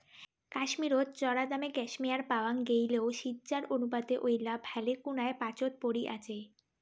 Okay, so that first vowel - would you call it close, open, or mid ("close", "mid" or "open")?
open